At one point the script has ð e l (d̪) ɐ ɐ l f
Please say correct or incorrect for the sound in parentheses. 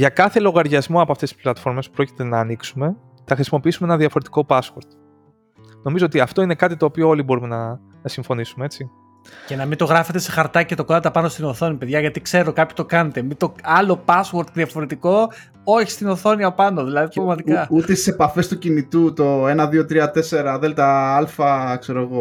incorrect